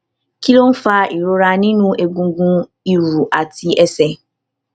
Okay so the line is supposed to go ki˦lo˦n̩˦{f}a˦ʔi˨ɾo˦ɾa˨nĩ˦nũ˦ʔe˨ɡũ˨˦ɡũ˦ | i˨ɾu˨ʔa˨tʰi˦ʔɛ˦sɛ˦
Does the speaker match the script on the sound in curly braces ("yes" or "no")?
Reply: yes